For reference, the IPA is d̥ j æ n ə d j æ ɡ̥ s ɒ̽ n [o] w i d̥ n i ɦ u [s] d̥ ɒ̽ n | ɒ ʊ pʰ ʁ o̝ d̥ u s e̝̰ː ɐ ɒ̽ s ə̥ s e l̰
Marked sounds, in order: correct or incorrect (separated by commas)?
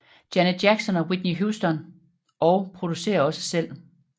incorrect, correct